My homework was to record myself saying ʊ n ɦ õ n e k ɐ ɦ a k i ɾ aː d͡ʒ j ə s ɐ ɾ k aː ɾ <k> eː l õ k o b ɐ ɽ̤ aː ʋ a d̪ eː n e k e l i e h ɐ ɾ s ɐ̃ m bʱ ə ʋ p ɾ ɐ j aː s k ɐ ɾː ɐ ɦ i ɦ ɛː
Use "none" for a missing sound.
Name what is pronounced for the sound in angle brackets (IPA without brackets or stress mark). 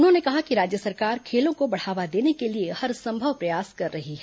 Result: kʰ